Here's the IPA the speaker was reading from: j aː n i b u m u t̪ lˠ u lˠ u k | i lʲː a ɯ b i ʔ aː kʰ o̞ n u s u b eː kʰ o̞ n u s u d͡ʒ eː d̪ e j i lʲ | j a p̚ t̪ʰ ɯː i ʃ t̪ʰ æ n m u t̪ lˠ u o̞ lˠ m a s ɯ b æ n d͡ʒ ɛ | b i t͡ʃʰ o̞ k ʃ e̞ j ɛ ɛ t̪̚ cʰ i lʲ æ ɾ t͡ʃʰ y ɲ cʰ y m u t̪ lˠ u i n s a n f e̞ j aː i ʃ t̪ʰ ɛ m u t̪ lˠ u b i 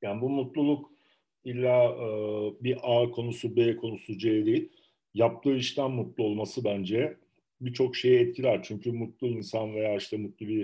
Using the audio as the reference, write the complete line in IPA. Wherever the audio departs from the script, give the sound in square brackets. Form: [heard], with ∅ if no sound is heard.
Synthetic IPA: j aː n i b u m u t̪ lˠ u lˠ u k | i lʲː a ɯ b i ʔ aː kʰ o̞ n u s u b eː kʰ o̞ n u s u d͡ʒ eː d̪ e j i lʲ | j a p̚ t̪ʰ ɯː i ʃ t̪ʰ æ n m u t̪ lˠ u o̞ lˠ m a s ɯ b æ n d͡ʒ ɛ | b i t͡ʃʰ o̞ k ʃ e̞ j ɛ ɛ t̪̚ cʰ i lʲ æ ɾ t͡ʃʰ y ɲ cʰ y m u t̪ lˠ u i n s a n [v] e̞ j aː i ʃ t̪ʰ ɛ m u t̪ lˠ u b i